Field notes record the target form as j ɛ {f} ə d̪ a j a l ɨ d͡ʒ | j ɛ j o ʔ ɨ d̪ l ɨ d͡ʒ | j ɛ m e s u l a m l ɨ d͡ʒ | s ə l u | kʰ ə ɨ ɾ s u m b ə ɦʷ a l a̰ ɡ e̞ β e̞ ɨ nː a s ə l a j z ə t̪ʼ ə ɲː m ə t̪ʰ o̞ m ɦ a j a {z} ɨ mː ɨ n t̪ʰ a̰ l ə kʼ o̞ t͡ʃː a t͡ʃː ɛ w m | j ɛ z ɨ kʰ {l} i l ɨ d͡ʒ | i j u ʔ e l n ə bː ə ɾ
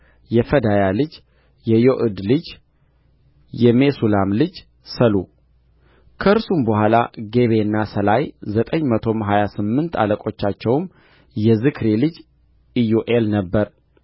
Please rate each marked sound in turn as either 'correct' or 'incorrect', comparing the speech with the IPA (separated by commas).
correct, incorrect, incorrect